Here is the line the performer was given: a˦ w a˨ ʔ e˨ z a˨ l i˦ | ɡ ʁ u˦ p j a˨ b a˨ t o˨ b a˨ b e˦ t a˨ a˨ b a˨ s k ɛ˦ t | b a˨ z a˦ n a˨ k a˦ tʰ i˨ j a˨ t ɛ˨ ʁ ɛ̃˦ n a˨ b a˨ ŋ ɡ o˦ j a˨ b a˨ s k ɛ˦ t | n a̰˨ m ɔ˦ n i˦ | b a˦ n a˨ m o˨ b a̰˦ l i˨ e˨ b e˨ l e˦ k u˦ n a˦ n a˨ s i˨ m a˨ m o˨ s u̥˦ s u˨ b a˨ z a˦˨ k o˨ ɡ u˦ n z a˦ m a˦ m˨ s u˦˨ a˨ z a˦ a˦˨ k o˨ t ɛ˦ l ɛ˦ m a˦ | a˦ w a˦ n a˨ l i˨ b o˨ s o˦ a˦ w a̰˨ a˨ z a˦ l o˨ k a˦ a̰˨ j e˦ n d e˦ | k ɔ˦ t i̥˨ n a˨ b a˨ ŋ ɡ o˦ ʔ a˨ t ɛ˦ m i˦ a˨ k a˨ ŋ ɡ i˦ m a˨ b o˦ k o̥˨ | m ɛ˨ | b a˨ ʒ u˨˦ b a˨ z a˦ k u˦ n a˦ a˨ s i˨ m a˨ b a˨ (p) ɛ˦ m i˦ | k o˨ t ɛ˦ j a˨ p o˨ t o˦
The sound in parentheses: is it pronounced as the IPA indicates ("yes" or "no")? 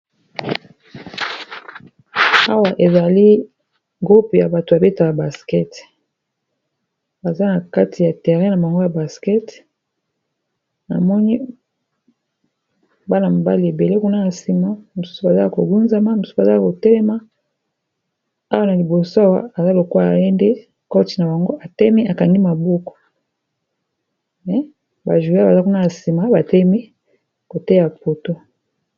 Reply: no